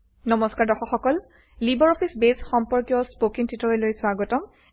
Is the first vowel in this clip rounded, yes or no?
yes